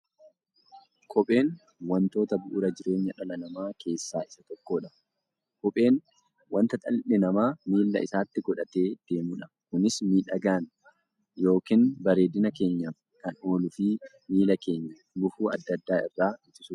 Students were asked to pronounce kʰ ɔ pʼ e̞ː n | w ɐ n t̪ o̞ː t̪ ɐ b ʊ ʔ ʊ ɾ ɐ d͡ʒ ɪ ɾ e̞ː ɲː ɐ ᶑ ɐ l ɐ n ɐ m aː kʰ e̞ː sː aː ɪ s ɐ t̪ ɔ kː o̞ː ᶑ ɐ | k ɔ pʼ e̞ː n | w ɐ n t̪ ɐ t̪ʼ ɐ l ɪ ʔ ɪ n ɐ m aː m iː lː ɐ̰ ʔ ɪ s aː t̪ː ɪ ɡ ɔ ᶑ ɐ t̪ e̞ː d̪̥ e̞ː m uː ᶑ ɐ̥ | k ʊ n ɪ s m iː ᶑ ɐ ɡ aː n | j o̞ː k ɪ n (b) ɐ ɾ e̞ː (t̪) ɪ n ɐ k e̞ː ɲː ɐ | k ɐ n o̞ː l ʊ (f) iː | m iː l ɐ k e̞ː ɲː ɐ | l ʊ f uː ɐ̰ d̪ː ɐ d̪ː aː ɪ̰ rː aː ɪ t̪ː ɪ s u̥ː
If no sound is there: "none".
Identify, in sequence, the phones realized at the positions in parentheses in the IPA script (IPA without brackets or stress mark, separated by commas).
b, d̪, f